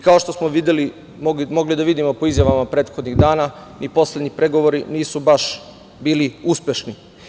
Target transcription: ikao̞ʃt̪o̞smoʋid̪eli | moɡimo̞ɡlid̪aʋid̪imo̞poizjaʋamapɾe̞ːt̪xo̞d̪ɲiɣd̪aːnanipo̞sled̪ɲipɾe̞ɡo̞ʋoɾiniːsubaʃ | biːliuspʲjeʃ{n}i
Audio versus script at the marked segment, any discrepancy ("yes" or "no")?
no